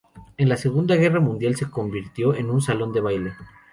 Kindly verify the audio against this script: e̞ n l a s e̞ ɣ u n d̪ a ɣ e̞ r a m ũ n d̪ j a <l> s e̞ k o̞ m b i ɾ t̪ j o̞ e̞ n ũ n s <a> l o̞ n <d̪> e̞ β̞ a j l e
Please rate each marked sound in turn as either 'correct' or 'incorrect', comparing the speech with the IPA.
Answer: correct, correct, correct

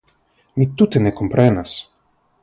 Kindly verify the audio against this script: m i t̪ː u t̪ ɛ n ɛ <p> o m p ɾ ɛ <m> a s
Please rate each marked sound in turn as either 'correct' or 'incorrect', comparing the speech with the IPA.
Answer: incorrect: k, incorrect: n

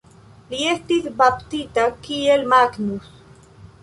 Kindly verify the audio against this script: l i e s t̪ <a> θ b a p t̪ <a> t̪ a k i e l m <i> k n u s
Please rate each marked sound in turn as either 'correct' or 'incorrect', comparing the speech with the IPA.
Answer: incorrect: i, incorrect: i, incorrect: a

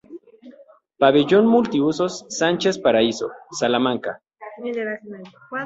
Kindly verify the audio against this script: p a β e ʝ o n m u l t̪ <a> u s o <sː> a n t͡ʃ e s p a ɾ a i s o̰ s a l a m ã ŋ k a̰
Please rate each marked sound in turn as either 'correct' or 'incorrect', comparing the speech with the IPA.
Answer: incorrect: i, correct

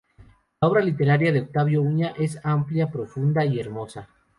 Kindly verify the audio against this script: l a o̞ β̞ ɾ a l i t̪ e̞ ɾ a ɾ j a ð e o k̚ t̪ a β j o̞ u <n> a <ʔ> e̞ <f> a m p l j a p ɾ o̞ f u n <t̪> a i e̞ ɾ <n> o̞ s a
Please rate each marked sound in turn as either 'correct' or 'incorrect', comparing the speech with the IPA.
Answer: incorrect: ɲ, correct, incorrect: s, incorrect: d̪, incorrect: m

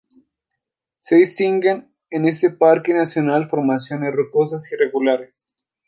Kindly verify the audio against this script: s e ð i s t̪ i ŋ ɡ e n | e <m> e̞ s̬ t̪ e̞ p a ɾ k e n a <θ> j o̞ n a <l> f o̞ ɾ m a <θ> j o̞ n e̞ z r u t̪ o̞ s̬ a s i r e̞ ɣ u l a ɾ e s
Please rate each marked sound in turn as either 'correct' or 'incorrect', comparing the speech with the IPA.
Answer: incorrect: n, incorrect: s, correct, incorrect: s

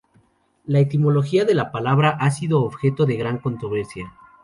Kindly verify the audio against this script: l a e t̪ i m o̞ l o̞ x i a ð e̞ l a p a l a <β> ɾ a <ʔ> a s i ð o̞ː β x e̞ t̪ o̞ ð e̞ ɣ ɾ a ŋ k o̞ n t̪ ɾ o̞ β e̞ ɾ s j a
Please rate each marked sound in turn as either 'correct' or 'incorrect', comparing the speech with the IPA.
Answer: correct, correct

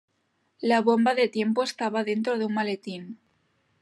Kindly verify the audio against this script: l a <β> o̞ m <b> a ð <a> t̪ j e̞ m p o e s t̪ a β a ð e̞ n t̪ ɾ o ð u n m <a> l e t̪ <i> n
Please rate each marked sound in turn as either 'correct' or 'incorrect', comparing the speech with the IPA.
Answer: correct, correct, incorrect: e, correct, correct

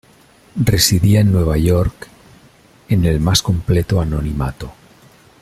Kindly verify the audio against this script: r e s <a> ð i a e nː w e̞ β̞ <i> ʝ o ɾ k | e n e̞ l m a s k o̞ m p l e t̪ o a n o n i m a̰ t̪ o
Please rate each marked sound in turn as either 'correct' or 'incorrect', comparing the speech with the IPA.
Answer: incorrect: i, incorrect: a

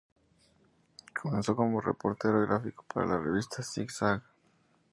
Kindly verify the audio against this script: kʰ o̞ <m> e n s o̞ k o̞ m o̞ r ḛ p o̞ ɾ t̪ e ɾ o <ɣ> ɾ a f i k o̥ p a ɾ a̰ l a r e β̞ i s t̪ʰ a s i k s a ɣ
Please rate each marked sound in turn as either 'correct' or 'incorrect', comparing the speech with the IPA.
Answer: correct, correct

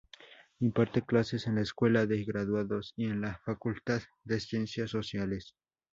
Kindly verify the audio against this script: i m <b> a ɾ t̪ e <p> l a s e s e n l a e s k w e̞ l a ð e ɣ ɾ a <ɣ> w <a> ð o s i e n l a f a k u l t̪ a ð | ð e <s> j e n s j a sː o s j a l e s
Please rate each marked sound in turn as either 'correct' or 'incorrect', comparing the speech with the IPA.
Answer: incorrect: p, incorrect: k, incorrect: ð, correct, correct

